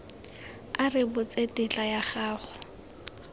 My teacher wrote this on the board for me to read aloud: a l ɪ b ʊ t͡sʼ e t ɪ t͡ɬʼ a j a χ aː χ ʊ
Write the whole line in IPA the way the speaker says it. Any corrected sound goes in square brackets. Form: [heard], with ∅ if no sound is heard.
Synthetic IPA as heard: a [r] ɪ b ʊ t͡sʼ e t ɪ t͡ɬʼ a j a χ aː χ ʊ

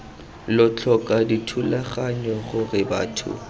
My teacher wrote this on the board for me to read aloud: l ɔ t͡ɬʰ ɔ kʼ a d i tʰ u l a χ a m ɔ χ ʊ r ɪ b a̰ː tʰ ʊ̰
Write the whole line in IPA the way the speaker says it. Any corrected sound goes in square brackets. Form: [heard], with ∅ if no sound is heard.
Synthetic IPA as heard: l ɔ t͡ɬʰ ɔ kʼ a d i tʰ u l a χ a [ɲ] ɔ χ ʊ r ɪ b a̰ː tʰ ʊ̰

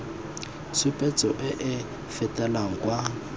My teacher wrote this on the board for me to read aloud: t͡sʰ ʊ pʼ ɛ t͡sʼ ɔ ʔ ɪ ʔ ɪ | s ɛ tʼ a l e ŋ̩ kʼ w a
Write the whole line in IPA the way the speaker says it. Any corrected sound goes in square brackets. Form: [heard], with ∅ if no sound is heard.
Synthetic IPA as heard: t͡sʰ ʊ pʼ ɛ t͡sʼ ɔ ʔ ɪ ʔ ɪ | [f] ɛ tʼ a l [a] ŋ̩ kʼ w a

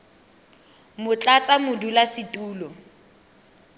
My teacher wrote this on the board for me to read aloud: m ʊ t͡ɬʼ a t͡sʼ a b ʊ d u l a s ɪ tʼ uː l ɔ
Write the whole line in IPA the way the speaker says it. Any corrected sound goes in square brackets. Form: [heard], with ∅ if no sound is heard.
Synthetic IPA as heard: m ʊ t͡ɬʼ a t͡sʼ a [m] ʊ d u l a s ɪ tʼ uː l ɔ

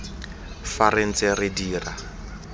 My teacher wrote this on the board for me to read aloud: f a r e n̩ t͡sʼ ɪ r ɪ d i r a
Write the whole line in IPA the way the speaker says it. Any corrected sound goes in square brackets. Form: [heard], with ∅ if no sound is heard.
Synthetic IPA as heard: f a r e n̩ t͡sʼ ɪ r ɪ d [iː] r a

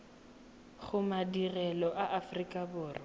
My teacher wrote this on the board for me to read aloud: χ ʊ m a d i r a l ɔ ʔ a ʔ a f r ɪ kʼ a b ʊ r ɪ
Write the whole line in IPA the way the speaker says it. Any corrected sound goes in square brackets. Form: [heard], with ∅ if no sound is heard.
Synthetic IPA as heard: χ ʊ m a d i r [ɛ] l ɔ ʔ a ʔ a f r [i] kʼ a b [ʊː] r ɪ

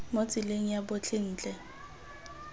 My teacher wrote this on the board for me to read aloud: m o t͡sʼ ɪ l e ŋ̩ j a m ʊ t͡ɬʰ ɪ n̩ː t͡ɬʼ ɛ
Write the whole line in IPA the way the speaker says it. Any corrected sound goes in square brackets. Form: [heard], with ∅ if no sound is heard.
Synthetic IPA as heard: m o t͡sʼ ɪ l e ŋ̩ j a [b] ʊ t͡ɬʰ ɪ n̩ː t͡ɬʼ ɛ

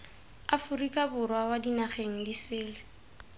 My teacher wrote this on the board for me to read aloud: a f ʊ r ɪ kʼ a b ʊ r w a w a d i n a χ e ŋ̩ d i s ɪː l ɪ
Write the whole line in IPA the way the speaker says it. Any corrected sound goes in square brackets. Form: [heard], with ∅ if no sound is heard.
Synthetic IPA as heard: a f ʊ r [i] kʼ a b ʊ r w a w a d i n a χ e ŋ̩ d i s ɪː l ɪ

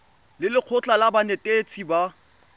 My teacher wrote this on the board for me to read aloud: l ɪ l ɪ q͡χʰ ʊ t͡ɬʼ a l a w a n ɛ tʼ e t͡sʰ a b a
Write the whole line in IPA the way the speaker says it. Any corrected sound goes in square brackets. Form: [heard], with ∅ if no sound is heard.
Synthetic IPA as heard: l ɪ l ɪ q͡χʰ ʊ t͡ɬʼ a l a [b] a n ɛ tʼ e t͡sʰ [i] b a

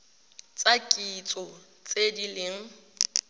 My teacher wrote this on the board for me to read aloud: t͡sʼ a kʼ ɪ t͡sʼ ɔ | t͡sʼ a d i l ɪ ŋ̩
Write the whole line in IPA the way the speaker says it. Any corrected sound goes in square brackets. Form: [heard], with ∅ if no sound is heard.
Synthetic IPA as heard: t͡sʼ a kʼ [i] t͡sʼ ɔ | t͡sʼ [e] d i l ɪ ŋ̩

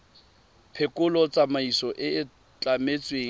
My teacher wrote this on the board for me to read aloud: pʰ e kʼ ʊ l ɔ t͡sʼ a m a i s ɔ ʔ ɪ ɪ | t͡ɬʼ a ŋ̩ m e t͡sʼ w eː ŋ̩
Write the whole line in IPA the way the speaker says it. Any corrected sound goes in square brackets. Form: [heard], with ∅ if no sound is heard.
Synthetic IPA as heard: pʰ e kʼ ʊ l ɔ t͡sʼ a m a i s ɔ ʔ ɪ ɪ | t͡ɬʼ a [∅] m e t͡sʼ w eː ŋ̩

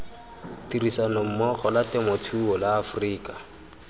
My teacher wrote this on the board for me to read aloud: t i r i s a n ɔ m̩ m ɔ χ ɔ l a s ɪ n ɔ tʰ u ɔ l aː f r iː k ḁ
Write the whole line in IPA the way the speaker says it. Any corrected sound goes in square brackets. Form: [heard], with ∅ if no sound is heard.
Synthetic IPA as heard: t i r i s a n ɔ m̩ m ɔ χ ɔ l a [t] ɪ [m] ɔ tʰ u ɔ l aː f r iː k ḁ

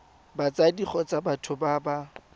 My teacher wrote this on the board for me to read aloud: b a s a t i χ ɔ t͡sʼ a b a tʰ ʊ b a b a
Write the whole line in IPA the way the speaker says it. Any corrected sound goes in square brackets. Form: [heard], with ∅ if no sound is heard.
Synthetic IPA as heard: b a [t͡s] a [d] i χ ɔ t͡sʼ a b a tʰ ʊ b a b a

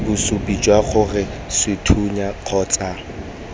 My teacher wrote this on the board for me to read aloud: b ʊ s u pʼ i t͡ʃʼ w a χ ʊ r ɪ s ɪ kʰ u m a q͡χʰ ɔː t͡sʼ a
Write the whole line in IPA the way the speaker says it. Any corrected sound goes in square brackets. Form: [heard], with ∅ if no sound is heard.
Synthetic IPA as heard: b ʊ s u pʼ i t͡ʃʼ w a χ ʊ r ɪ s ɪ [tʰ] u [ɲ] a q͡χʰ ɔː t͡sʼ a

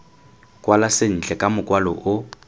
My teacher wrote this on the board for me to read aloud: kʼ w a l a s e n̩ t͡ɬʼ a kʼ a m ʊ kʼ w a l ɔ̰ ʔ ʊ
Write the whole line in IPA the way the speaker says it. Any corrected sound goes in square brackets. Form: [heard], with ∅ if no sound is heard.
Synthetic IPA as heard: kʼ w a l a s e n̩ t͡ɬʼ [ɛ] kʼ a m ʊ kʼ w a l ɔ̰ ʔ ʊ

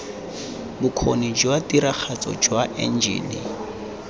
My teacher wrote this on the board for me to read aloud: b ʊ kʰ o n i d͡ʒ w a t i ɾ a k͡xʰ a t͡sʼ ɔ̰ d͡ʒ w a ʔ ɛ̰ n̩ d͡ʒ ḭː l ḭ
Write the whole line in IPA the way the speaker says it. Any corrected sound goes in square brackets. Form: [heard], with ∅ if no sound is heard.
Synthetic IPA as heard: b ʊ kʰ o n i d͡ʒ w a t i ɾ a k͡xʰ a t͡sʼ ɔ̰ d͡ʒ w a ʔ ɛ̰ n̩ d͡ʒ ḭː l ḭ

